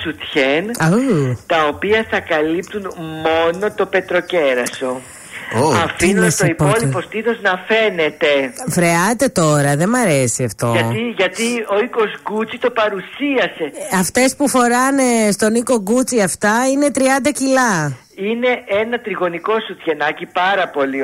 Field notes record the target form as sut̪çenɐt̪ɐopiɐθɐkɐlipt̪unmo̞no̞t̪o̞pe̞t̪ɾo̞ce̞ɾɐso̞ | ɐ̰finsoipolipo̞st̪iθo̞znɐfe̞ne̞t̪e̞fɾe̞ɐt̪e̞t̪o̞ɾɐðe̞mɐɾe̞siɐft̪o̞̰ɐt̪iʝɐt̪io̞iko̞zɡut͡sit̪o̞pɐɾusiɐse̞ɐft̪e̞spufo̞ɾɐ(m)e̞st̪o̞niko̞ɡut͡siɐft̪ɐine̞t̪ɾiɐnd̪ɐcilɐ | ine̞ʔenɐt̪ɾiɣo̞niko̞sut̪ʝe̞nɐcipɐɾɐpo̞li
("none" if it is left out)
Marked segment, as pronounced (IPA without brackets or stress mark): n